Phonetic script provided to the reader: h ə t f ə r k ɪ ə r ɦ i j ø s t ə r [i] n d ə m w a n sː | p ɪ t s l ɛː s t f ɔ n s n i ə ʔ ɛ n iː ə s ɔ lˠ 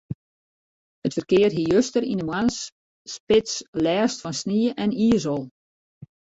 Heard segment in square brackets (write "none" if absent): i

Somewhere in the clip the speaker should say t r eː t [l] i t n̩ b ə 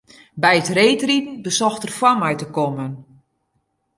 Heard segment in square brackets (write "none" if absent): r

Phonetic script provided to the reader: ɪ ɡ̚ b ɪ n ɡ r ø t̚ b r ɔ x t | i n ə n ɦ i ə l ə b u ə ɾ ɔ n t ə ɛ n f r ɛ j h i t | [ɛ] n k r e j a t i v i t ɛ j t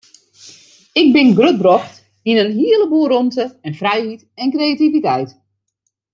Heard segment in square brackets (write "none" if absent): ɛ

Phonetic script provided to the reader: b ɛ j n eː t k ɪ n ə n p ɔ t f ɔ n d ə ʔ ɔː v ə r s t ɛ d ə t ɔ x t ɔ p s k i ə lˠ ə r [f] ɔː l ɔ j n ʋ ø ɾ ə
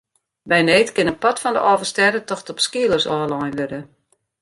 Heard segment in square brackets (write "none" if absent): s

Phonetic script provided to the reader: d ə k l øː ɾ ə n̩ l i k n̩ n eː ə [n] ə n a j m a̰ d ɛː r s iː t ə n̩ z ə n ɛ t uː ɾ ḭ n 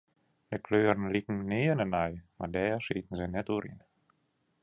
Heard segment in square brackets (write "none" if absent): n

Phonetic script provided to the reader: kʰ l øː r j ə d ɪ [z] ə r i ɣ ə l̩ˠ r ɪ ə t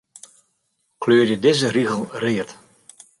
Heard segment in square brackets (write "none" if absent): z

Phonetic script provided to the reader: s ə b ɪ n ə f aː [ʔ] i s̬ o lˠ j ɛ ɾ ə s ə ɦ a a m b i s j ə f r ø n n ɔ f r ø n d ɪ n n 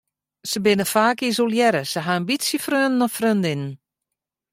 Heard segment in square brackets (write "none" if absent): k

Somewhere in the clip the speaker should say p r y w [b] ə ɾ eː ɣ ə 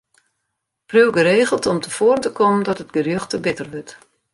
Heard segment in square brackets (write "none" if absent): ɡ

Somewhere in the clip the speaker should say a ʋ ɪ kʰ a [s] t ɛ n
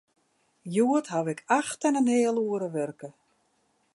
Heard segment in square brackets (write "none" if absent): x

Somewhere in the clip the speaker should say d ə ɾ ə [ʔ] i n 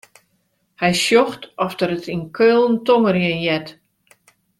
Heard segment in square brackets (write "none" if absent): t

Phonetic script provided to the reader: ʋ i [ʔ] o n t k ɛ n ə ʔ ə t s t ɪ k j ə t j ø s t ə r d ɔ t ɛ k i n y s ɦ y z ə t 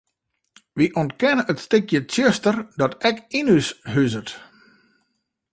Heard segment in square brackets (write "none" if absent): ʔ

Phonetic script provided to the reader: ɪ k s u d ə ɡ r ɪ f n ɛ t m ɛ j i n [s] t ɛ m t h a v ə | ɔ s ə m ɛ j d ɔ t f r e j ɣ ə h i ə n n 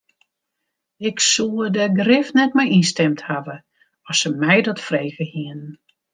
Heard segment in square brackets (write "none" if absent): s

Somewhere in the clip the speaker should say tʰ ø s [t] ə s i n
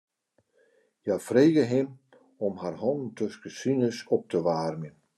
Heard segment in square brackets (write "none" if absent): k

